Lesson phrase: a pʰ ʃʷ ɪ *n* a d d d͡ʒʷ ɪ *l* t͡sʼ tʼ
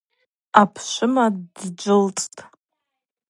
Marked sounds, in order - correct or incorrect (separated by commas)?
incorrect, correct